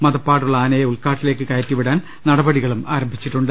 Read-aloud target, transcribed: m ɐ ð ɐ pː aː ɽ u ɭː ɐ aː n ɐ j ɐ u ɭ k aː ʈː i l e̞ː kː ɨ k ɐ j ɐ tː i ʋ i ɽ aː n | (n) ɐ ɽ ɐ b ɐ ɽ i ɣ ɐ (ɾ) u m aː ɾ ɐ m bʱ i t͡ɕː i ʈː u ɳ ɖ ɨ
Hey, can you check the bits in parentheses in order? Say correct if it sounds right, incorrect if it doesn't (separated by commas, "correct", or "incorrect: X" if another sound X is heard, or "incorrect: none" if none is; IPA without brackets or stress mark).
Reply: correct, incorrect: ɭ